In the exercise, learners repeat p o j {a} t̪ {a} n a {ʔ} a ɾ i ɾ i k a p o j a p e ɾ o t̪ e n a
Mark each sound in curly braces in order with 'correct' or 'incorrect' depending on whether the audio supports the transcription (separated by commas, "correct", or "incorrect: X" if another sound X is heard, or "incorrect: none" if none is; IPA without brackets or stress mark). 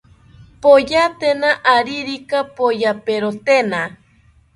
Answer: correct, incorrect: e, correct